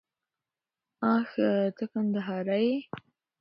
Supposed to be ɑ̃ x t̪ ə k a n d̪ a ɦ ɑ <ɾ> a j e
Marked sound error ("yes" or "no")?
no